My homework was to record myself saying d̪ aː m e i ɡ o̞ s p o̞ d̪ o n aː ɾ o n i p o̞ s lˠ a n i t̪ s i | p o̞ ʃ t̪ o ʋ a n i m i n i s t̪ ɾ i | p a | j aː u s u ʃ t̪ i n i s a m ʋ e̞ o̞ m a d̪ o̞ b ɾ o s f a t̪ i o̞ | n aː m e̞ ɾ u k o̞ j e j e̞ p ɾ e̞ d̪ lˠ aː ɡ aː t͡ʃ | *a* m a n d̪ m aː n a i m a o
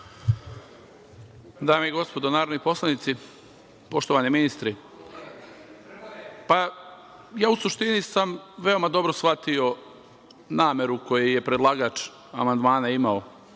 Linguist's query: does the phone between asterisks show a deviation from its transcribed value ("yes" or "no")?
no